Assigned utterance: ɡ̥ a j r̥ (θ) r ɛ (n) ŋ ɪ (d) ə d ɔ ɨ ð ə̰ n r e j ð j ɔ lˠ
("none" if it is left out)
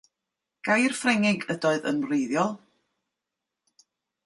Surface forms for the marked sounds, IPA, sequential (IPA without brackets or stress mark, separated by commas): f, none, ɡ